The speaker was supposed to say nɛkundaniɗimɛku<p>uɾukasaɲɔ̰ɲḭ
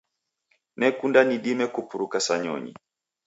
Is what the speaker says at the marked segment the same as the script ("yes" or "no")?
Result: yes